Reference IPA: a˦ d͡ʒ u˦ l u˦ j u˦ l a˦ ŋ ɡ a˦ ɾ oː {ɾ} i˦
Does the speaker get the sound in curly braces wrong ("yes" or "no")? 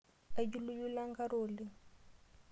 yes